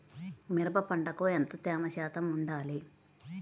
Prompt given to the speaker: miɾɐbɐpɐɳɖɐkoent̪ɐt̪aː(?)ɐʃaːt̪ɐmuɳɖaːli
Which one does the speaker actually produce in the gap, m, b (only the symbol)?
m